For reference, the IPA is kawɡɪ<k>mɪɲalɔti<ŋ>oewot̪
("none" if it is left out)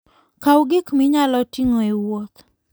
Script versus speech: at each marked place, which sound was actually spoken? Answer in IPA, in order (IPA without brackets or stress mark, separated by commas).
k, ŋ